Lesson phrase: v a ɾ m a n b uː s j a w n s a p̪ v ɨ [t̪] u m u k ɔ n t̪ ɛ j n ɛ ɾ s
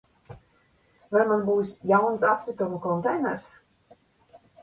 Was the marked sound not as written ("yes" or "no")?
no